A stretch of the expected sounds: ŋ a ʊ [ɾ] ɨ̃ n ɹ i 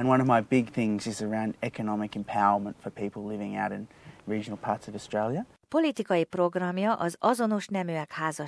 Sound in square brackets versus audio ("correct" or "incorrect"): correct